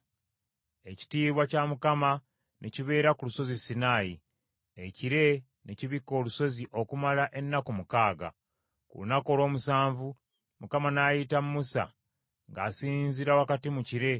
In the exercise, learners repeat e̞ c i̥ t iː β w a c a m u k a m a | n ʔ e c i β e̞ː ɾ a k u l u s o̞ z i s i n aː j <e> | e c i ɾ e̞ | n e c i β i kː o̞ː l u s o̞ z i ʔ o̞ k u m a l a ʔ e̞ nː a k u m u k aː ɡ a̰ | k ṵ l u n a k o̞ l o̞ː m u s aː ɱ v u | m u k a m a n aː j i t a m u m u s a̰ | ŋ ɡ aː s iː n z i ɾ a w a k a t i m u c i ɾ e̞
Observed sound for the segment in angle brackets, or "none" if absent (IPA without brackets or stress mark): i